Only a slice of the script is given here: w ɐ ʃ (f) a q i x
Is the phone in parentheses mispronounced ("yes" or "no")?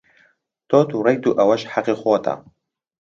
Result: yes